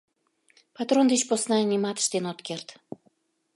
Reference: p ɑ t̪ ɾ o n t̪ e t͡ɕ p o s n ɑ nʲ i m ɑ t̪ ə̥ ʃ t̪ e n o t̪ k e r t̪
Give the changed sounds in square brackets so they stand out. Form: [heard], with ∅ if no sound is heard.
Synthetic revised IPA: p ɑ t̪ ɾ o n [d̪] e t͡ɕ p o s n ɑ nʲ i m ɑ t̪ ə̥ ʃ t̪ e n o t̪ k e r t̪